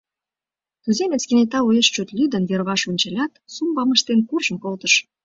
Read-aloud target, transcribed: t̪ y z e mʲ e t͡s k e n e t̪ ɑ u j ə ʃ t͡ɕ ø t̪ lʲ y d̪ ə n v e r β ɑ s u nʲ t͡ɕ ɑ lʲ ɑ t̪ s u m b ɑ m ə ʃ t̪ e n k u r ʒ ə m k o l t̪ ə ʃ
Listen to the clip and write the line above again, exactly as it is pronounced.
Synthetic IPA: t̪ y z e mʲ e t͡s k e n e t̪ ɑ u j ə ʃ t͡ɕ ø t̪ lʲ y d̪ ə n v e r β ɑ ʃ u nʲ t͡ɕ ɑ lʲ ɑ t̪ s u m b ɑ m ə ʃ t̪ e n k u r ʒ ə m k o l t̪ ə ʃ